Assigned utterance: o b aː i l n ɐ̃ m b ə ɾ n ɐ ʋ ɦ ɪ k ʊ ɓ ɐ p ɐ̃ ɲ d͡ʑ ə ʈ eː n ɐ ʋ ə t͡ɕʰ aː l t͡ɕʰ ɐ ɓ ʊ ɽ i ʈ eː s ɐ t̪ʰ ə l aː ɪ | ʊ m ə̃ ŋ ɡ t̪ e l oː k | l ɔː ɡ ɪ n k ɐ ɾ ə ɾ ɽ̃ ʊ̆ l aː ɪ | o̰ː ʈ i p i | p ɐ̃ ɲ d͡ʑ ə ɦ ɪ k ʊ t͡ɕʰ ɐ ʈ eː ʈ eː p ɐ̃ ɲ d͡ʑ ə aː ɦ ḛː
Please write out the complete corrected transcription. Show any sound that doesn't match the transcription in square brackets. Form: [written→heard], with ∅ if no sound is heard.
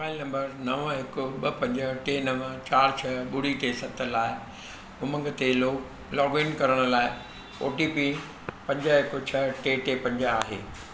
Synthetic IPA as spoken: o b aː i l n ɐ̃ m b ə ɾ n ɐ ʋ ɦ ɪ k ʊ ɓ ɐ p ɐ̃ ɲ d͡ʑ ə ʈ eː n ɐ ʋ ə [t͡ɕʰ→t͡ɕ] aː [l→ɾ] t͡ɕʰ ɐ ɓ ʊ ɽ i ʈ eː s ɐ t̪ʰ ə l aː ɪ | ʊ m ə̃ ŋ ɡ t̪ e l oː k | l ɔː ɡ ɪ n k ɐ ɾ ə [ɾ→∅] ɽ̃ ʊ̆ l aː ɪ | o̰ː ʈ i p i | p ɐ̃ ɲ d͡ʑ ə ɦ ɪ k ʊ t͡ɕʰ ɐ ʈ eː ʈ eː p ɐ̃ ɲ d͡ʑ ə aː ɦ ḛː